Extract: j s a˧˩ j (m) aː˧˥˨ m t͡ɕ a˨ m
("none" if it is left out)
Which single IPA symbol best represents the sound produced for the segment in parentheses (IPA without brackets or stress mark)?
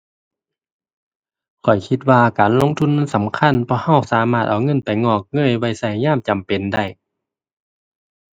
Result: ɲ